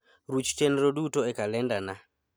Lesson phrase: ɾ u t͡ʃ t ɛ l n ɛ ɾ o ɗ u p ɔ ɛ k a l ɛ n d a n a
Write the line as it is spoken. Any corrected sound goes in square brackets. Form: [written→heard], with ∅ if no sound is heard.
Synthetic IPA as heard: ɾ u t͡ʃ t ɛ [l→∅] n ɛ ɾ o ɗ u [p→t] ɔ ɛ k a l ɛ n d a n a